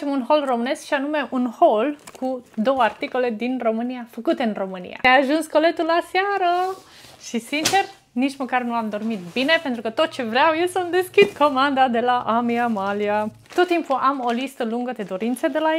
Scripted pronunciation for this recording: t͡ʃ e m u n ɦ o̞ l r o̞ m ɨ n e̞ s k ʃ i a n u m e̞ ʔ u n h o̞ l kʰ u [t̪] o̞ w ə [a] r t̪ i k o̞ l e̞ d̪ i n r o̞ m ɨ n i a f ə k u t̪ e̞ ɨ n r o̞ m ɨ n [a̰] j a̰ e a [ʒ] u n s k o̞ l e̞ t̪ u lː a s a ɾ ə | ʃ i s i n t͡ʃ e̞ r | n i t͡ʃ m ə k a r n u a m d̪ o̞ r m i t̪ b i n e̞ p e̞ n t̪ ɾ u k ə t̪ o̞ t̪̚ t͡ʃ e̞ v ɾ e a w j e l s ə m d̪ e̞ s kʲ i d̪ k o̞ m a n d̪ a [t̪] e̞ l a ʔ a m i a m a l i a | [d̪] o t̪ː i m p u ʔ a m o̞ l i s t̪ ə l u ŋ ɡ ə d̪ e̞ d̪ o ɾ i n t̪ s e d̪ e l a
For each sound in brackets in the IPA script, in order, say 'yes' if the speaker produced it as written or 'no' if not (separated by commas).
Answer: no, yes, no, yes, no, no